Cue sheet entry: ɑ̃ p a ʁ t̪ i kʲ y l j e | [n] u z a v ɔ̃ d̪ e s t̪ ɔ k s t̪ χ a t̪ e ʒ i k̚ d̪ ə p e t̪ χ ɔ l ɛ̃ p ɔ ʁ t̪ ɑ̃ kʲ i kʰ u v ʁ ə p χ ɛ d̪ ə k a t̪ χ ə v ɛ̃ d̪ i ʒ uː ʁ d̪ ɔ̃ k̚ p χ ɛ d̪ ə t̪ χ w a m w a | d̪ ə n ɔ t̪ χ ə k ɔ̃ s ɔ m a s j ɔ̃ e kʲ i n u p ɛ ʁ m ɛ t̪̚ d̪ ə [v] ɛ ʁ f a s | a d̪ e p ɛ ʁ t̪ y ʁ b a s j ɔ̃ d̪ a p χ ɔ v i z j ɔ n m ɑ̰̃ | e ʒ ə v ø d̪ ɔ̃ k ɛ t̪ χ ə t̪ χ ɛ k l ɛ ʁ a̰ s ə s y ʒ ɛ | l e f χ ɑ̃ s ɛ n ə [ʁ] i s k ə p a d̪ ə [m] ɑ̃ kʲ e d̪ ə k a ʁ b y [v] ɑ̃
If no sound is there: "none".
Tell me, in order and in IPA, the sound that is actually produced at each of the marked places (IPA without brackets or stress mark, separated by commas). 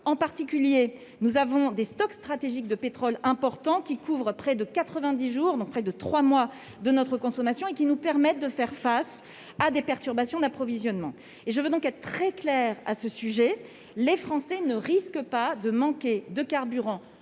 n, f, ʁ, m, ʁ